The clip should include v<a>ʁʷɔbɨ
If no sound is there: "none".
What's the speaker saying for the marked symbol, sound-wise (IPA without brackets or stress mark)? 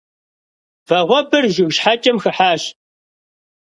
ɐ